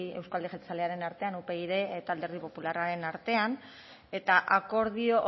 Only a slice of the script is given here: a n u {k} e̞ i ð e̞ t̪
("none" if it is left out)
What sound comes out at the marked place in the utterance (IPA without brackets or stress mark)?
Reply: p